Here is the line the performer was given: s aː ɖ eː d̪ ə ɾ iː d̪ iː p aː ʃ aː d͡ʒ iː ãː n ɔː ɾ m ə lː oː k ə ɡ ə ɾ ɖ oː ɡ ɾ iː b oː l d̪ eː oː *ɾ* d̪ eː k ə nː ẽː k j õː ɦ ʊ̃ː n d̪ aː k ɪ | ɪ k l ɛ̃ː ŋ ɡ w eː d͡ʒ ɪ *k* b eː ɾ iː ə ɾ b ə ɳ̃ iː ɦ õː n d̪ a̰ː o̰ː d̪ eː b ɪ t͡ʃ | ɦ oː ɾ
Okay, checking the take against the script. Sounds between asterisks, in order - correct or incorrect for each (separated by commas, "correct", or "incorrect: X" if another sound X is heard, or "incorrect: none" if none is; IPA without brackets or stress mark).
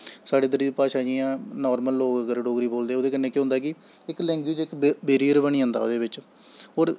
incorrect: none, correct